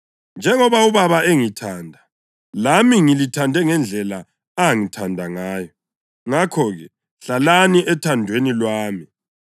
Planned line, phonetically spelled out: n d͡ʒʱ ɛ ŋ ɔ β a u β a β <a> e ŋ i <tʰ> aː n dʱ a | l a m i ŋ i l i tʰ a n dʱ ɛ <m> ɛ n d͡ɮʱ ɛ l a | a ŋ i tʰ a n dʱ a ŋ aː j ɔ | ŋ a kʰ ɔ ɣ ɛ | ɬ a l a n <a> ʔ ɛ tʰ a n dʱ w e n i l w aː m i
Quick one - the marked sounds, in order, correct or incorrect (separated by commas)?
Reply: correct, correct, incorrect, incorrect